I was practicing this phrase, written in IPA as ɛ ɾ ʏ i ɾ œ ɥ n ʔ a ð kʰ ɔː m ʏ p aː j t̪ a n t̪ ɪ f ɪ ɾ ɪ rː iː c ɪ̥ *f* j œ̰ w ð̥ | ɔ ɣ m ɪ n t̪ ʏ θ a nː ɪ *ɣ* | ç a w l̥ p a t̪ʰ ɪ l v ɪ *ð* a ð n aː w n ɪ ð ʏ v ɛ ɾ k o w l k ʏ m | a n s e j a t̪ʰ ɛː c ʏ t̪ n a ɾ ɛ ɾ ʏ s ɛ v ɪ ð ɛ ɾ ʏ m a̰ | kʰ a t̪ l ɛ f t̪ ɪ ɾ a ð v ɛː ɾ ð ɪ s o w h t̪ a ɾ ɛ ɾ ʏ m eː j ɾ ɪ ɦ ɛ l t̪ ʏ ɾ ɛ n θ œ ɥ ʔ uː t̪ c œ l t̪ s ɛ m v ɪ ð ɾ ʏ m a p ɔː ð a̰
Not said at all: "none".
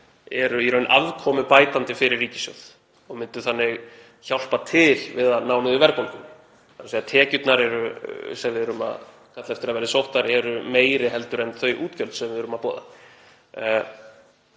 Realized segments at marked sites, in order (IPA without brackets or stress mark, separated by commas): s, ɣ, ð